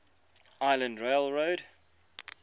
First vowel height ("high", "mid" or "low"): low